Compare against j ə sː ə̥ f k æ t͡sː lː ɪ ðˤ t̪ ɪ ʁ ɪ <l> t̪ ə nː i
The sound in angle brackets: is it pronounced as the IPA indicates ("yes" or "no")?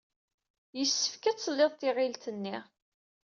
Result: yes